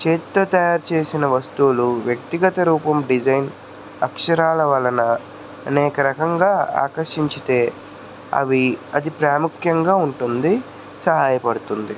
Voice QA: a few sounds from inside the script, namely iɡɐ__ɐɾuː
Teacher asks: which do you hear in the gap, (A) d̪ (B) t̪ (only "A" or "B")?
B